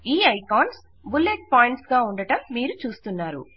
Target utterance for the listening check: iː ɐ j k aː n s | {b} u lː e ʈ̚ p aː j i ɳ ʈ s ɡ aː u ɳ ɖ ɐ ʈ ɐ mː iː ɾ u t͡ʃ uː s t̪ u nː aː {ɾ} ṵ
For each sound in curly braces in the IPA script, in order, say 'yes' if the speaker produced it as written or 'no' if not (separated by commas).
yes, yes